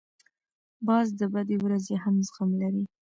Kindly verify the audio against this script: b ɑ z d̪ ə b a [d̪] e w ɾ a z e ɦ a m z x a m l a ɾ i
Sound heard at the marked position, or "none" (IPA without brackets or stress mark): d̪